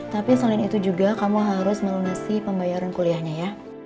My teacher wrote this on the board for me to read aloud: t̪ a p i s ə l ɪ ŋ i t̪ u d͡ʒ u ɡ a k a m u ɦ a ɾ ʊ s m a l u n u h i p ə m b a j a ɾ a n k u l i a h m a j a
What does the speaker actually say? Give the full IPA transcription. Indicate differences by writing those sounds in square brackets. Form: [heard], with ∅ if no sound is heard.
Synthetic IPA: t̪ a p i s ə l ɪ [n] i t̪ u d͡ʒ u ɡ a k a m u ɦ a ɾ ʊ s m [ə] l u n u [s] i p ə m b a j a ɾ a n k u l i a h [ɲ] a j a